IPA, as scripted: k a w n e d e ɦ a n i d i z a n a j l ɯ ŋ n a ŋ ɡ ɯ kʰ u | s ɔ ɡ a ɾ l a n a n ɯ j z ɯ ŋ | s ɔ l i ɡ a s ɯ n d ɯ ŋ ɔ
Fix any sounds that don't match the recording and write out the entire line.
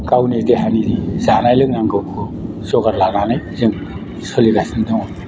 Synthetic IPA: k a w n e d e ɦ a n i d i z a n a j l ɯ ŋ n a ŋ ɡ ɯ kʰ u | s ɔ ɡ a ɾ l a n a n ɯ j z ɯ ŋ | s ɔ l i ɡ a s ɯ n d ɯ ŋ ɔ